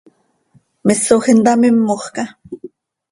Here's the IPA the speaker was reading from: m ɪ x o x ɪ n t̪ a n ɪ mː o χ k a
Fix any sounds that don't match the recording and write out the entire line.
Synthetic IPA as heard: m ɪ s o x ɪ n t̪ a m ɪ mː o χ k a